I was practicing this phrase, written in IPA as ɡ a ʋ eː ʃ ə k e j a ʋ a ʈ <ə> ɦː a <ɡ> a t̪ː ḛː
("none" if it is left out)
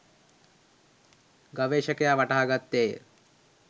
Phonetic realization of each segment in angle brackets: a, ɡ

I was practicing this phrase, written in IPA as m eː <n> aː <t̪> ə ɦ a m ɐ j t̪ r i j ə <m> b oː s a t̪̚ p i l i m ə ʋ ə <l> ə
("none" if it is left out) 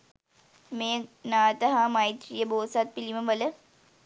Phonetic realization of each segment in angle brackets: n, t̪, none, l

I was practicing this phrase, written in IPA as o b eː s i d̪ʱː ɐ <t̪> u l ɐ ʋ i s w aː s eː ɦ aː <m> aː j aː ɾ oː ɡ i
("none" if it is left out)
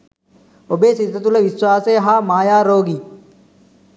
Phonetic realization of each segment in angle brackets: t̪, m

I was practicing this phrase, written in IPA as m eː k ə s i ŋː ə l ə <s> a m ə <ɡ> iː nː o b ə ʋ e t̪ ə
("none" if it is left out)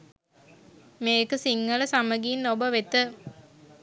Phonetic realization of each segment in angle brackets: s, ɡ

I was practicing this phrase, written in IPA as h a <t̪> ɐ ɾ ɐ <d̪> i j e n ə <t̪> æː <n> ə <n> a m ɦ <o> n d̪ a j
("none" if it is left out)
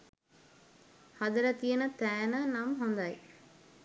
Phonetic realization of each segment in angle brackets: d̪, t̪, t̪, n, n, o

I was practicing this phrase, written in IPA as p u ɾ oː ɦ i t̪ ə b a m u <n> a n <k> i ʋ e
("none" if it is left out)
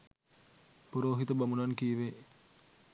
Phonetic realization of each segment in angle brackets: n, k

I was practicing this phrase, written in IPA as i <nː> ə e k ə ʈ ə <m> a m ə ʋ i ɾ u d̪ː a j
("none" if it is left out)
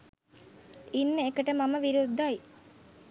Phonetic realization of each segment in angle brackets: nː, m

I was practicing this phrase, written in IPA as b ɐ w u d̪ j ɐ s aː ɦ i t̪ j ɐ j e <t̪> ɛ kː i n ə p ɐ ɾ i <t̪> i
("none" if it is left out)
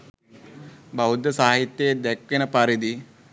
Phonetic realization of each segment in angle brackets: d̪, d̪

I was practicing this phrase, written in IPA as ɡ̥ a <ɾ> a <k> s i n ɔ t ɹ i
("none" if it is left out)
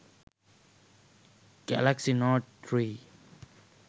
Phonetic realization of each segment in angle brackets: l, k

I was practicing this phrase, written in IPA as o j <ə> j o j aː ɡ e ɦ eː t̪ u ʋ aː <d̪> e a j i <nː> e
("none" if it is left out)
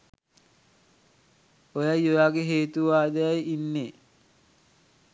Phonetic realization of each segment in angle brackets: a, d̪, nː

